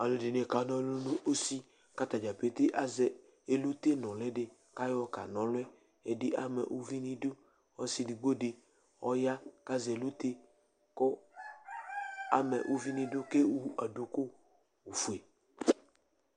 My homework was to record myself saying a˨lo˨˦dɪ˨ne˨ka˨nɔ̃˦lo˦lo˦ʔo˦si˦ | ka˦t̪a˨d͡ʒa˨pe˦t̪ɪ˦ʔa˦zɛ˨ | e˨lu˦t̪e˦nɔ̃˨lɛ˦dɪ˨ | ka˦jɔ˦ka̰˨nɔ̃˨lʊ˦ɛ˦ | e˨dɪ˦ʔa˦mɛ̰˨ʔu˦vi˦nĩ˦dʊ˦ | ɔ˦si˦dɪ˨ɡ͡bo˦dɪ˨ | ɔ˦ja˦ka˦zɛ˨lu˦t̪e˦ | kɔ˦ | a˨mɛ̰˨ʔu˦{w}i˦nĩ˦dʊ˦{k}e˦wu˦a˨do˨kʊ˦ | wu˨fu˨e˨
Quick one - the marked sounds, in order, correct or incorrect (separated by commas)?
incorrect, correct